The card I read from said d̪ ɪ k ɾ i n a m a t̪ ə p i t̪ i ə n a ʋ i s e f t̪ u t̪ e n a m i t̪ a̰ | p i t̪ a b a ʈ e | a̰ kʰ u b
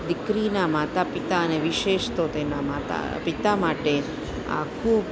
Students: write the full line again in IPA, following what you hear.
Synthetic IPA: d̪ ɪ k ɾ i n a m a t̪ a p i t̪ a ə n e ʋ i ʃ e ʃ t̪ o t̪ e n a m a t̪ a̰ | p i t̪ a m a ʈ e | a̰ kʰ u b

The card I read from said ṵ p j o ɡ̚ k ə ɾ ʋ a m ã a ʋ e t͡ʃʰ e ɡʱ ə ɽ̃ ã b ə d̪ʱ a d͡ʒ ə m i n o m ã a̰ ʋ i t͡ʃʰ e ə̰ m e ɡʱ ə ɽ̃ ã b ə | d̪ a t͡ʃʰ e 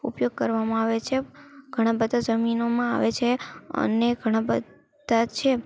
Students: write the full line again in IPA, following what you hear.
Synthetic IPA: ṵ p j o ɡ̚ k ə ɾ ʋ a m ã a ʋ e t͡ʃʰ e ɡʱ ə ɽ̃ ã b ə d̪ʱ a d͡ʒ ə m i n o m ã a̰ ʋ e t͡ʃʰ e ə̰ n e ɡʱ ə ɽ̃ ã b ə | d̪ a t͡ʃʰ e

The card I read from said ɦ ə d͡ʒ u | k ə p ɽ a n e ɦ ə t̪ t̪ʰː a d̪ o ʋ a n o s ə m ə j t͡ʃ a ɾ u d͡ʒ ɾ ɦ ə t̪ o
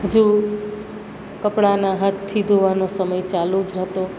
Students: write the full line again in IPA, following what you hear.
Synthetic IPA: ɦ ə d͡ʒ u | k ə p ɽ a n a ɦ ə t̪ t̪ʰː i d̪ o ʋ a n o s ə m ə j t͡ʃ a l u d͡ʒ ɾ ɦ ə t̪ o

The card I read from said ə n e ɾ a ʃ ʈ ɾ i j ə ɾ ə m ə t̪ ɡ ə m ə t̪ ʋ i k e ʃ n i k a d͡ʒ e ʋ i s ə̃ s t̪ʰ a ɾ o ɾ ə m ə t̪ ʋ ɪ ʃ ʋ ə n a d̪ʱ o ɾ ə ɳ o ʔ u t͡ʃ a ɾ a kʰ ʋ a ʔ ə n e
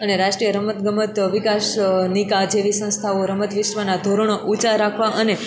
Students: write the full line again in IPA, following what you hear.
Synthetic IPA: ə n e ɾ a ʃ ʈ ɾ i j ə ɾ ə m ə t̪ ɡ ə m ə t̪ ʋ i k a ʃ n i k a d͡ʒ e ʋ i s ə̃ s t̪ʰ a o ɾ ə m ə t̪ ʋ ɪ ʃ ʋ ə n a d̪ʱ o ɾ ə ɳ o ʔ u t͡ʃ a ɾ a kʰ ʋ a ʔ ə n e

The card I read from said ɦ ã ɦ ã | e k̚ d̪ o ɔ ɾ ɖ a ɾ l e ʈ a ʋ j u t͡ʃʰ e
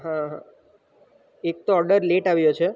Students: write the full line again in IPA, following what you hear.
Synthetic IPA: ɦ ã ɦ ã | e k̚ t̪ o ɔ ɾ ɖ ə ɾ l e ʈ a ʋ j o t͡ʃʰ e

